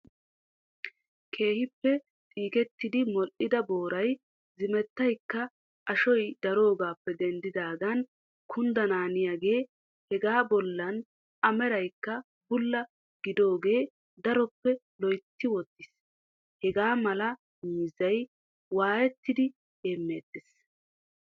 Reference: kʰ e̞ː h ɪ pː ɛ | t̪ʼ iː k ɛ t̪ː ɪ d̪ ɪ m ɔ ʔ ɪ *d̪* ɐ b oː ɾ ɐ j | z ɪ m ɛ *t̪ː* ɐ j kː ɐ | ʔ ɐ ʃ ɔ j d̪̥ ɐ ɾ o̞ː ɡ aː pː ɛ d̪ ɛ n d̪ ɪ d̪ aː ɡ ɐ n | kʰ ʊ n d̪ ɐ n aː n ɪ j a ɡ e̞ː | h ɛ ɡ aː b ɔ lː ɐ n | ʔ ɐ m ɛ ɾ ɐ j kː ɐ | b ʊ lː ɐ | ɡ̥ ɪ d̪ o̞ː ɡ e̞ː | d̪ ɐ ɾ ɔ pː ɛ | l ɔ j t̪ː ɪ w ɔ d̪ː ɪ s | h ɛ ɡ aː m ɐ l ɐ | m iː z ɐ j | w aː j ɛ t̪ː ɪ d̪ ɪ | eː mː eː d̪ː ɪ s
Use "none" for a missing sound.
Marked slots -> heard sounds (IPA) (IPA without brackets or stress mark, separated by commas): d̪, t̪ː